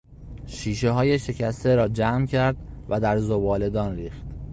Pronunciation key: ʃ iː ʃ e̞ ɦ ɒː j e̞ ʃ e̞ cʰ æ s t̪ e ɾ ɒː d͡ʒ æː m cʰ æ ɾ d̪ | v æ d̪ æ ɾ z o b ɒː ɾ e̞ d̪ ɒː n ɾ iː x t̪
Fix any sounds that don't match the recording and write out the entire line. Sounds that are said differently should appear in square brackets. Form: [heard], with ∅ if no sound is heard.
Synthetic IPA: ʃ iː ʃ e̞ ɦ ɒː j e̞ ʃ e̞ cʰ æ s t̪ e ɾ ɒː d͡ʒ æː m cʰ æ ɾ d̪ | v æ d̪ æ ɾ z o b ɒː [l] e̞ d̪ ɒː n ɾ iː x t̪